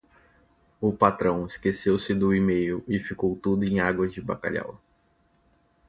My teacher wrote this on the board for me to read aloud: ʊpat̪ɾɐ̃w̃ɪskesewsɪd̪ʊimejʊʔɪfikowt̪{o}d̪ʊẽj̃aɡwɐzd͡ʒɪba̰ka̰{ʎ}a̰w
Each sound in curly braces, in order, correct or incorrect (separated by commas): incorrect, correct